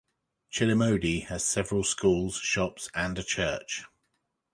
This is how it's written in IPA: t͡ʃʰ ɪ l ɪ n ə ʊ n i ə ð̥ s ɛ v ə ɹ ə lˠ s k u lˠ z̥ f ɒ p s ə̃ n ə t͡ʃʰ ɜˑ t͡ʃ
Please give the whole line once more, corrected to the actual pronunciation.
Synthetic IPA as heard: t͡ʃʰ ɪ l ɪ m ə ʊ d i ə z̥ s ɛ v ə ɹ ə lˠ s k uː lˠ z̥ ʃ ɒ p s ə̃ n ə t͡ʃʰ ɜˑ t͡ʃ